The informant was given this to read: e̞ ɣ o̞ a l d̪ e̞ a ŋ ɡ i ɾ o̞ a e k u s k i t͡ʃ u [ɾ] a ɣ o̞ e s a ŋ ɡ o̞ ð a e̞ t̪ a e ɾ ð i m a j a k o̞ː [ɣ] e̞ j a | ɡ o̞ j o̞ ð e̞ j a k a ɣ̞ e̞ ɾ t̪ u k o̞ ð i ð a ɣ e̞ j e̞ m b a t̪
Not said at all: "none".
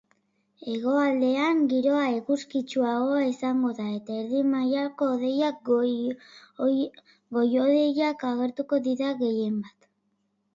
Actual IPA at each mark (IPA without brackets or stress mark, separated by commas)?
none, ð